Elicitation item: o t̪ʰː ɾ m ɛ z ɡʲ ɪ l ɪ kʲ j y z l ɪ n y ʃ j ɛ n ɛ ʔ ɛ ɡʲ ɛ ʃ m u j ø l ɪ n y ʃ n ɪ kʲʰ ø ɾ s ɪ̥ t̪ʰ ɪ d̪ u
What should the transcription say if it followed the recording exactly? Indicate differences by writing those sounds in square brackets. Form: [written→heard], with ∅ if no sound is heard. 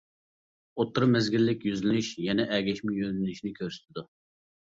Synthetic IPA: o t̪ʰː ɾ m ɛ z ɡʲ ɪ [l→lː] ɪ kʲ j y z l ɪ n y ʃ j ɛ n ɛ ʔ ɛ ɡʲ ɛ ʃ m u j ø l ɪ n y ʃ n ɪ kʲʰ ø ɾ s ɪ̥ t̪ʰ ɪ d̪ u